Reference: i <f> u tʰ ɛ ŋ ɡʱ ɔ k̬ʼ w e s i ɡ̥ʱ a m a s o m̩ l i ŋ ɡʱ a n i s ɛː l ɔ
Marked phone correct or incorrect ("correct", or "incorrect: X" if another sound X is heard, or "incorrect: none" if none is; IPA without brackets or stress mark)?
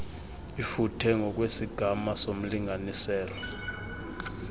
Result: correct